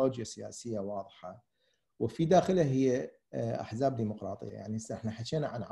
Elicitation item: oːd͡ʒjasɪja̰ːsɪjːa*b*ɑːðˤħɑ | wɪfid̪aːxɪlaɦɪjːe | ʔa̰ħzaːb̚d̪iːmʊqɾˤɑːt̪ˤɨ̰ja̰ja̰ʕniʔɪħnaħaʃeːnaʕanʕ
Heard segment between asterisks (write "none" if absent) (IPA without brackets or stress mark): w